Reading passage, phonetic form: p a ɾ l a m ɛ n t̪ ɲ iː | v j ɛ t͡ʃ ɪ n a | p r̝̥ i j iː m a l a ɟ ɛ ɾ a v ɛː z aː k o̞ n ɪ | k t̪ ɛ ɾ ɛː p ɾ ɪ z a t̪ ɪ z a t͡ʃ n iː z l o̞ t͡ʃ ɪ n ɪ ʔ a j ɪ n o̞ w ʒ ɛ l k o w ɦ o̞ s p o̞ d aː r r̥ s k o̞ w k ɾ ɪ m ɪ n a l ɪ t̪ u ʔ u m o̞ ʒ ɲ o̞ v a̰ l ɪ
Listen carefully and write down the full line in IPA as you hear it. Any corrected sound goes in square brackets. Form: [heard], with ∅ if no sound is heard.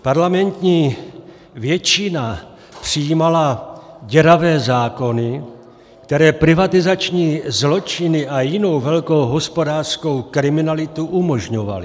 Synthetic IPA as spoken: p a ɾ l a m ɛ n t̪ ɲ iː | v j ɛ t͡ʃ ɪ n a | p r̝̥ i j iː m a l a ɟ ɛ ɾ a v ɛː z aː k o̞ n ɪ | k t̪ ɛ ɾ ɛː p ɾ ɪ [v] a t̪ ɪ z a t͡ʃ [ɲ] iː z l o̞ t͡ʃ ɪ n ɪ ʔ a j ɪ n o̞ w [v] ɛ l k o w ɦ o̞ s p o̞ d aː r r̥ s k o̞ w k ɾ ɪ m ɪ n a l ɪ t̪ u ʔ u m o̞ ʒ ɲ o̞ v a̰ l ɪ

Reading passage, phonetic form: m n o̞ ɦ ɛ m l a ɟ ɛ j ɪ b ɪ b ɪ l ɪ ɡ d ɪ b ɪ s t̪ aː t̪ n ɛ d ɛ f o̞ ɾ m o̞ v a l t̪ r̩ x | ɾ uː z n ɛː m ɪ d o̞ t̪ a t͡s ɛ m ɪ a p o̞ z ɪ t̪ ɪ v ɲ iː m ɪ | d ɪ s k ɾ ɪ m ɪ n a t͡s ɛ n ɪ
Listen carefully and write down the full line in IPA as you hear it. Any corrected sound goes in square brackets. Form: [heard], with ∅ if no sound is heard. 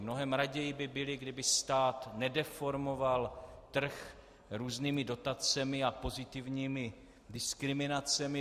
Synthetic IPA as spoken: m n o̞ ɦ ɛ m [ɾ] a ɟ ɛ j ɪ b ɪ b ɪ l ɪ ɡ d ɪ b ɪ s t̪ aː t̪ n ɛ d ɛ f o̞ ɾ m o̞ v a l t̪ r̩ x | ɾ uː z n [iː] m ɪ d o̞ t̪ a t͡s ɛ m ɪ a p o̞ z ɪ t̪ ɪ v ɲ iː m ɪ | d ɪ s k ɾ ɪ m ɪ n a t͡s ɛ [m] ɪ

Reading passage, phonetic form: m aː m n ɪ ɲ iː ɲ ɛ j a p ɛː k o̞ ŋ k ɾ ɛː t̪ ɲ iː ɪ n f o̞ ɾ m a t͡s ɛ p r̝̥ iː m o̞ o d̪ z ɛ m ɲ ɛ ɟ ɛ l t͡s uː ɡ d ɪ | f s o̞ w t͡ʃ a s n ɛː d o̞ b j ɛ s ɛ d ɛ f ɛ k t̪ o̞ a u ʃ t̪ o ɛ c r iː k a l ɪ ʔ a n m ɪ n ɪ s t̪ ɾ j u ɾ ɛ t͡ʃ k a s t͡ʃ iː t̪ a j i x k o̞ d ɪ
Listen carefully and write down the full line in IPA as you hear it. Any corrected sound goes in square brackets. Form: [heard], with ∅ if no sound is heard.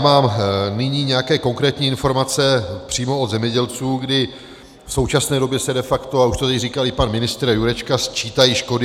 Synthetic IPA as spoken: m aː m n ɪ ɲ iː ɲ ɛ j a [k] ɛː k o̞ ŋ k ɾ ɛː t̪ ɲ iː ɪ n f o̞ ɾ m a t͡s ɛ p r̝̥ iː m o̞ o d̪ z ɛ m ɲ ɛ ɟ ɛ l t͡s uː ɡ d ɪ | f s o̞ w t͡ʃ a s n ɛː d o̞ b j ɛ s ɛ d ɛ f [a] k t̪ o̞ a u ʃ t̪ o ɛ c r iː k a l ɪ [p] a n m ɪ n ɪ s t̪ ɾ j u ɾ ɛ t͡ʃ k a s t͡ʃ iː t̪ a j i [ʃ] k o̞ d ɪ

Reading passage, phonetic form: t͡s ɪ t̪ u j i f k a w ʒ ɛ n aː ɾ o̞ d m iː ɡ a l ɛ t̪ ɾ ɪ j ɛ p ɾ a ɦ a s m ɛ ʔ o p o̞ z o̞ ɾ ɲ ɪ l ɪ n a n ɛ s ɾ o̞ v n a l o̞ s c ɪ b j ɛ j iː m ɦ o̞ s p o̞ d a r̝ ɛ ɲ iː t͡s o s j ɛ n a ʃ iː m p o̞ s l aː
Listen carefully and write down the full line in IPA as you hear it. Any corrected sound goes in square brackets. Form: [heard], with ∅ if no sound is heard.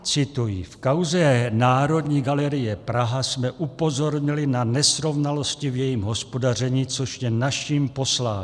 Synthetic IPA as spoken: t͡s ɪ t̪ u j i f k a w [z] ɛ n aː ɾ o̞ d [ɲ] iː ɡ a l ɛ [∅] ɾ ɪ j ɛ p ɾ a ɦ a s m ɛ ʔ [u] p o̞ z o̞ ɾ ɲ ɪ l ɪ n a n ɛ s ɾ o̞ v n a l o̞ s c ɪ [v] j ɛ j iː m ɦ o̞ s p o̞ d a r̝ ɛ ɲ iː t͡s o [ʃ] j ɛ n a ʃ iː m p o̞ s l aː

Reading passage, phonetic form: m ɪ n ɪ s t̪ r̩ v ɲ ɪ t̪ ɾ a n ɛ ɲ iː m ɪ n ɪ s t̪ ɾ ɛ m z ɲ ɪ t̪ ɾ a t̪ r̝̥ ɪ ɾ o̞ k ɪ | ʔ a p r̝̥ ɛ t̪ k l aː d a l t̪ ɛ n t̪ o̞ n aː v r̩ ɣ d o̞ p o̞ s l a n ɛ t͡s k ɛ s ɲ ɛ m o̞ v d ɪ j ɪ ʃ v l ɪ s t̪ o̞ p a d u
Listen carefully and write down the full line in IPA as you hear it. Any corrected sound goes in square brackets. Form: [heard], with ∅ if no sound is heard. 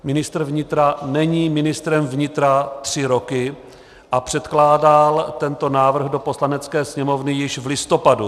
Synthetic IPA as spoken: m ɪ n ɪ s t̪ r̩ v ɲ ɪ t̪ ɾ a n ɛ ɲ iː m ɪ n ɪ s t̪ ɾ ɛ m [v] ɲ ɪ t̪ ɾ a t̪ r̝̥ ɪ ɾ o̞ k ɪ | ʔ a p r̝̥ ɛ t̪ k l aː d a l t̪ ɛ n t̪ o̞ n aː v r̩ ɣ d o̞ p o̞ s l a n ɛ t͡s k [ɛː] s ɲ ɛ m o̞ v [n] ɪ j ɪ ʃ v l ɪ s t̪ o̞ p a d u

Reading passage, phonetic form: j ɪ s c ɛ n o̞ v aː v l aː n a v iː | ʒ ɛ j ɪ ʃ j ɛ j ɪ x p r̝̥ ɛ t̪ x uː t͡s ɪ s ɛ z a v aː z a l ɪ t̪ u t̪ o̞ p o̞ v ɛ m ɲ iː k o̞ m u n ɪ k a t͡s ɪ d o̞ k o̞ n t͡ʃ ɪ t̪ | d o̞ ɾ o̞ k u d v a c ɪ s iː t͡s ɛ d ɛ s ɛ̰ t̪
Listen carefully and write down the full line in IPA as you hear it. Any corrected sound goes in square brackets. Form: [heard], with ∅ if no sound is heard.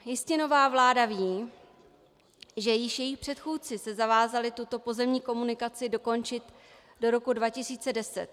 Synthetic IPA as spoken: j ɪ s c ɛ n o̞ v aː v l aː [d] a v iː | ʒ ɛ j ɪ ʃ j ɛ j ɪ x p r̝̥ ɛ t̪ x uː t͡s ɪ s ɛ z a v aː z a l ɪ t̪ u t̪ o̞ p o̞ [z] ɛ m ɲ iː k o̞ m u n ɪ k a t͡s ɪ d o̞ k o̞ n t͡ʃ ɪ t̪ | d o̞ ɾ o̞ k u d v a c ɪ s iː t͡s ɛ d ɛ s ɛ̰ t̪

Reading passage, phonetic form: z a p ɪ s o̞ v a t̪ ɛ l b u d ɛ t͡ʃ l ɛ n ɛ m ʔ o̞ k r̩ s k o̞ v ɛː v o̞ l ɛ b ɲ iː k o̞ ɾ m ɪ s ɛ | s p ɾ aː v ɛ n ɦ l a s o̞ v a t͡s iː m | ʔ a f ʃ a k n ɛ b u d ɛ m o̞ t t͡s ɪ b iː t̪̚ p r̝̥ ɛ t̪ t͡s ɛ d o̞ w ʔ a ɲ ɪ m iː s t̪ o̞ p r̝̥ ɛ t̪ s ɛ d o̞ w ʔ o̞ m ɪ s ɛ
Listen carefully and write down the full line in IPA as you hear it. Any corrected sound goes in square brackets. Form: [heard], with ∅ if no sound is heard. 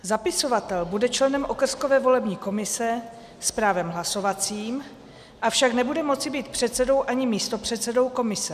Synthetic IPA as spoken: z a p ɪ s o̞ v a t̪ ɛ l b u d ɛ t͡ʃ l ɛ n ɛ m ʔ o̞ k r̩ s k o̞ v ɛː v o̞ l ɛ b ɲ iː k o̞ [∅] m ɪ s ɛ | s p ɾ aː v ɛ [m] ɦ l a s o̞ v a t͡s iː m | ʔ a f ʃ a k n ɛ b u d ɛ m o̞ t t͡s ɪ b iː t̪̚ p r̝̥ ɛ t̪ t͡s ɛ d o̞ w ʔ a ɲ ɪ m iː s t̪ o̞ p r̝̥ ɛ t̪ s ɛ d o̞ w [k] o̞ m ɪ s ɛ

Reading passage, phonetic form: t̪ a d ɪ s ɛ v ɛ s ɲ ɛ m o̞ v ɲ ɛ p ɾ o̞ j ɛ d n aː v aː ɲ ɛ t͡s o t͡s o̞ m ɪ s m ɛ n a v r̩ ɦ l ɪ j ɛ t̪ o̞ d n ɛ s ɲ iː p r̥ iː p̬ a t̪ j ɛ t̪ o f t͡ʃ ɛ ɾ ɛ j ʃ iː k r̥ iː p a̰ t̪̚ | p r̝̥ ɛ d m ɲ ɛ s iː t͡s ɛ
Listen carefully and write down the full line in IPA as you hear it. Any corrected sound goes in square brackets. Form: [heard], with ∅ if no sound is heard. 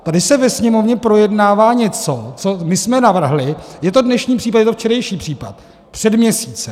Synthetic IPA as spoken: t̪ a d ɪ s ɛ v ɛ s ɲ ɛ m o̞ v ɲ ɛ p ɾ o̞ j ɛ d n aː v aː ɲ ɛ t͡s o t͡s o̞ m ɪ s m ɛ n a v r̩ ɦ l ɪ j ɛ t̪ o̞ d n ɛ [ʃ] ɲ iː p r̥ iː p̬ a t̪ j ɛ t̪ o f t͡ʃ ɛ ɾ ɛ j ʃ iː [p] r̥ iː p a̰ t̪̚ | p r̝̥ ɛ d m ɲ ɛ s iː t͡s ɛ

